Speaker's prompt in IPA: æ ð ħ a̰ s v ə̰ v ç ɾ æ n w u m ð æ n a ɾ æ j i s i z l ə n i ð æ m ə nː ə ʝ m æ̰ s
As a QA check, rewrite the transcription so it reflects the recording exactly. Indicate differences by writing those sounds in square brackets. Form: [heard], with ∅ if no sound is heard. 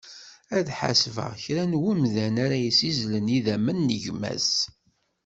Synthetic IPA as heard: æ ð ħ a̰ s v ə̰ [ʁ] ç ɾ æ n w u m ð æ n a ɾ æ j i s i z l ə n i ð æ m ə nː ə ʝ m æ̰ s